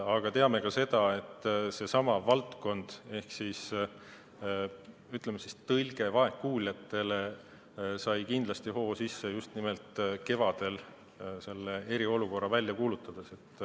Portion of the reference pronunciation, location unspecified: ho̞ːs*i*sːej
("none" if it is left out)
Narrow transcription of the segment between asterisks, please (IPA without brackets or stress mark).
i